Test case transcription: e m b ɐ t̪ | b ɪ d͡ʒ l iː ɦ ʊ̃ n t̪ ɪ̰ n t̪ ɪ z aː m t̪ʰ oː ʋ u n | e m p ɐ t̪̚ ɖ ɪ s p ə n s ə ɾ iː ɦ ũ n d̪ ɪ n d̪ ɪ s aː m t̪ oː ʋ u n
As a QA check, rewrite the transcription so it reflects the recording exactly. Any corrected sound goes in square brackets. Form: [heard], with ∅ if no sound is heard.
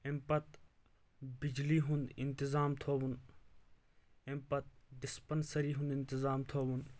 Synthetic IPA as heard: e m [p] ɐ t̪ | b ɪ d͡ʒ l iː ɦ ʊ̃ n [d̪] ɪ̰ n t̪ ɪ z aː m t̪ʰ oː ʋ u n | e m p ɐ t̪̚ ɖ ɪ s p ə n s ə ɾ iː ɦ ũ n d̪ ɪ n [t̪] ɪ [z] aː m [t̪ʰ] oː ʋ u n